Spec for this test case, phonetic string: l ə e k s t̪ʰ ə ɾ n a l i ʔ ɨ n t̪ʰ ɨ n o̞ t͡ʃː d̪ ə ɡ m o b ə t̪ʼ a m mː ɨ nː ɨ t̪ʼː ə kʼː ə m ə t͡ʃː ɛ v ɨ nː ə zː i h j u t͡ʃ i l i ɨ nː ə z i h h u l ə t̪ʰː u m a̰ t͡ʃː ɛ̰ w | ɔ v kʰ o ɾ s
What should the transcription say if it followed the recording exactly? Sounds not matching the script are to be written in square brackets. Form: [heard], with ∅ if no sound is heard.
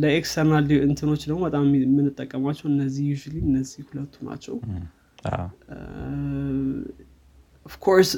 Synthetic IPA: l ə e k s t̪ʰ ə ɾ n a l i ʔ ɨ n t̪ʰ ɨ n o̞ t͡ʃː d̪ ə ɡ m o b ə t̪ʼ a m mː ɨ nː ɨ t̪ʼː ə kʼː ə m [a] t͡ʃː ɛ [w] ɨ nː ə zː i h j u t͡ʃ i l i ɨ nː ə z i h h u l ə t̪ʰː u [n] a̰ t͡ʃː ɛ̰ w | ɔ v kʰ o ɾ s